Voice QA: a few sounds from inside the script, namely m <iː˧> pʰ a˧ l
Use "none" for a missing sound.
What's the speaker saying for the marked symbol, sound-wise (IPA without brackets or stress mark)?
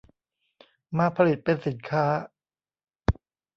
aː˧